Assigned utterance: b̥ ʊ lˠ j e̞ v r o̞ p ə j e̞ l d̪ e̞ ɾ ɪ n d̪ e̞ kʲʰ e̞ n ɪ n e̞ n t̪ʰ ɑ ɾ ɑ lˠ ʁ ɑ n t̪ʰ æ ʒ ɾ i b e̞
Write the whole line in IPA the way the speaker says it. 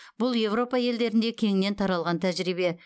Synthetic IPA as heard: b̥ ʊ lˠ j e̞ v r o̞ p ɑ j e̞ l d̪ e̞ ɾ ɪ n d̪ e̞ kʲʰ e̞ ŋ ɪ n e̞ n t̪ʰ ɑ ɾ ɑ lˠ ʁ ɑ n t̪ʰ æ ʒ ɾ i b e̞